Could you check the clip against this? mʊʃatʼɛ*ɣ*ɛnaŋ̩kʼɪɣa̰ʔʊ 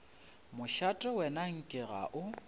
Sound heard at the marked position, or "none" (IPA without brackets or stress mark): w